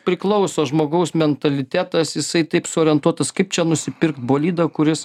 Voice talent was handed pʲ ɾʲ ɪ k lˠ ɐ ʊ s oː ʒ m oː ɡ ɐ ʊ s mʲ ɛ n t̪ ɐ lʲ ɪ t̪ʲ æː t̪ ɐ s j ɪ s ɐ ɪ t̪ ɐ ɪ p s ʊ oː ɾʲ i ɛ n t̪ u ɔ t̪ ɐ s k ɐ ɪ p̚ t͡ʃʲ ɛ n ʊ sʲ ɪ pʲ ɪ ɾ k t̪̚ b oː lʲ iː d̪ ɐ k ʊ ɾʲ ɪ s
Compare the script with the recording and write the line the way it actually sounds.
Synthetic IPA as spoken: pʲ ɾʲ ɪ k lˠ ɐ ʊ s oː ʒ m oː ɡ ɐ ʊ s mʲ ɛ n t̪ ɐ lʲ ɪ t̪ʲ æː t̪ ɐ s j ɪ s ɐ ɪ t̪ ɐ ɪ p s ʊ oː ɾʲ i ɛ n t̪ u ɔ t̪ ɐ s k ɐ ɪ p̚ t͡ʃʲ ɛ n ʊ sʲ ɪ pʲ ɪ ɾ k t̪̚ b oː lʲ iː d̪ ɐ k ʊ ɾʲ ɪ s